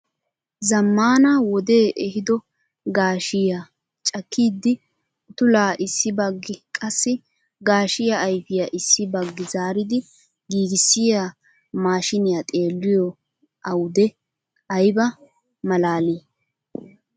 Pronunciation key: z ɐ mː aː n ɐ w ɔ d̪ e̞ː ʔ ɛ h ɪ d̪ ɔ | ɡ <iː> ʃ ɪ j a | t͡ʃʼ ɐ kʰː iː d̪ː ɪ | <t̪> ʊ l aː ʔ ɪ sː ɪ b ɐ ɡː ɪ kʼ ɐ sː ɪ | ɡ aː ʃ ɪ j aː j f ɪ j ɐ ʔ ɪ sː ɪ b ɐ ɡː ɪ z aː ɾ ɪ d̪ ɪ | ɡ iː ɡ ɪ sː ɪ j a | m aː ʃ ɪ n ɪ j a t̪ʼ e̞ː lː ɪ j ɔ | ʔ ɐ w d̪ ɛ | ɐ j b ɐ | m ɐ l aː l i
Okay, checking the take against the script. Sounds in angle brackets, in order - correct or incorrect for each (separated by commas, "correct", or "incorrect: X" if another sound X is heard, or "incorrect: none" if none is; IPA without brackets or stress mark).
incorrect: aː, correct